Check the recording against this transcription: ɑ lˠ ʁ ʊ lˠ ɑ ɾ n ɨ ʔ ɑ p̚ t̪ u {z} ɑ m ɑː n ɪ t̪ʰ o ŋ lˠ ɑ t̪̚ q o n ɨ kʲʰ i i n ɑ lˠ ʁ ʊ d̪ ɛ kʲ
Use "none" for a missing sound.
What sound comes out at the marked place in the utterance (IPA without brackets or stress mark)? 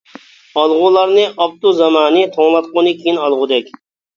z